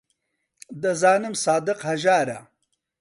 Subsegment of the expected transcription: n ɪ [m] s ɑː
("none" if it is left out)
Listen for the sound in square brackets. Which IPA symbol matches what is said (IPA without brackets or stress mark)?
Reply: m